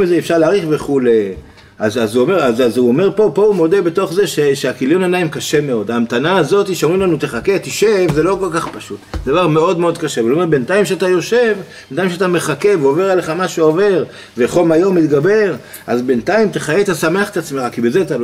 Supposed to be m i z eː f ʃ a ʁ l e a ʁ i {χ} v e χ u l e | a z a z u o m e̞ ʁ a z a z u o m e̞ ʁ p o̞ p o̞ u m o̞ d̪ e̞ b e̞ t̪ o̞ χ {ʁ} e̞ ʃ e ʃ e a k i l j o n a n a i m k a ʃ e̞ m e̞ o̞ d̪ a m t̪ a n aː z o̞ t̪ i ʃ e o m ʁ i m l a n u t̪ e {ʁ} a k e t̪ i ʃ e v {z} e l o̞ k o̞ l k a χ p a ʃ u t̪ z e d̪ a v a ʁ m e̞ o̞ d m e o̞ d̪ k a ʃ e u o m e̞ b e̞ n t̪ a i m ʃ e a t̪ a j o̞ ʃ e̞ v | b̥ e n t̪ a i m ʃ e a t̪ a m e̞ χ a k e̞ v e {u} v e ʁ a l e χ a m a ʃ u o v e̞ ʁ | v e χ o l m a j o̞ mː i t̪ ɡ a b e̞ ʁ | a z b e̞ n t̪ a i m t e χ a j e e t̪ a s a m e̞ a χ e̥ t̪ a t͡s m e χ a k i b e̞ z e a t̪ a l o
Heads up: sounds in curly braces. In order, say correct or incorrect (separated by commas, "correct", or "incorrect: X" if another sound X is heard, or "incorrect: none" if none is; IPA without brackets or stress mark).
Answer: correct, incorrect: z, incorrect: χ, correct, incorrect: o